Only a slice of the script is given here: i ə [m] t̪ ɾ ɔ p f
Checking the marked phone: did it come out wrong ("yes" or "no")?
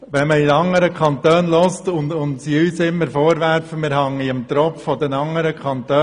no